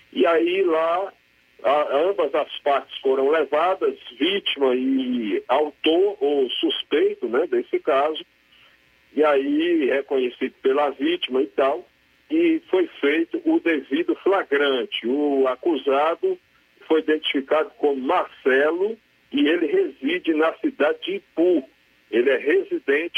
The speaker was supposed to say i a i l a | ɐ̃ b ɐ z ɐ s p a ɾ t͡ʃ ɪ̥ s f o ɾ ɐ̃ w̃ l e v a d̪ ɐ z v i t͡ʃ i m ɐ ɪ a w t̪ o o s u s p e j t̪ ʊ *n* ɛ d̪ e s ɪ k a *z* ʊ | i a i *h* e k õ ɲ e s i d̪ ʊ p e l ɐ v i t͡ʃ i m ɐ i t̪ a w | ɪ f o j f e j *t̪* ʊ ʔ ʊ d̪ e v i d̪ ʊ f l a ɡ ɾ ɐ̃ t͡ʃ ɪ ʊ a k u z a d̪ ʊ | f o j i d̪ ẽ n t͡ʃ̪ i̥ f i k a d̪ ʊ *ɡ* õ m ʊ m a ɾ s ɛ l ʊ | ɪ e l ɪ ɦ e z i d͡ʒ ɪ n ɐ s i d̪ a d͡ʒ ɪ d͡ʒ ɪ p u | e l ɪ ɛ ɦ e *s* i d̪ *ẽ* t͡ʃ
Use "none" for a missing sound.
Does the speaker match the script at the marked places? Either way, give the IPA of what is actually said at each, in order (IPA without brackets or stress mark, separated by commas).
n, z, h, t̪, k, z, ẽ